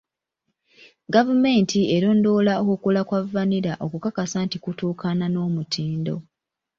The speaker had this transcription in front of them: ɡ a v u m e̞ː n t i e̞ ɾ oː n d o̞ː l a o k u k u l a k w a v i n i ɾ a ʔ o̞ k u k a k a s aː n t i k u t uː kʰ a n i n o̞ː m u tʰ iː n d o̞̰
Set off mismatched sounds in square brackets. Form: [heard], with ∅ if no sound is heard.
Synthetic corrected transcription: ɡ a v u m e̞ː n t i e̞ ɾ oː n d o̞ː l a o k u k u l a k w a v [a] n i ɾ a ʔ o̞ k u k a k a s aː n t i k u t uː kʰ a n [a] n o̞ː m u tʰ iː n d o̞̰